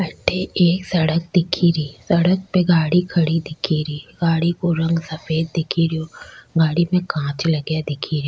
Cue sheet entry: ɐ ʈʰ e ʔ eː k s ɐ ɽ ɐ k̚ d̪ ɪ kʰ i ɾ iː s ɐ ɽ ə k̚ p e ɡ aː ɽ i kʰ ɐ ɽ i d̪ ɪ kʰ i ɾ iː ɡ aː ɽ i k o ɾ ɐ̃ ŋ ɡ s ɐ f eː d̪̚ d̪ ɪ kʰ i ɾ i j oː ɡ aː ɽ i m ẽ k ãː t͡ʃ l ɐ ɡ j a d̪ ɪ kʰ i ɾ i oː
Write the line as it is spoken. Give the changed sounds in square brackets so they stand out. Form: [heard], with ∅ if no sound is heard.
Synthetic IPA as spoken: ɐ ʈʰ e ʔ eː k s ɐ ɽ [ə] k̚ d̪ ɪ kʰ i ɾ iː s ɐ ɽ ə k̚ p e ɡ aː ɽ i kʰ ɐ ɽ i d̪ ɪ kʰ i ɾ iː ɡ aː ɽ i k o ɾ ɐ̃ ŋ ɡ s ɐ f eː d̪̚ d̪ ɪ kʰ i ɾ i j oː ɡ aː ɽ i m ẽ k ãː t͡ʃ l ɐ ɡ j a d̪ ɪ kʰ i ɾ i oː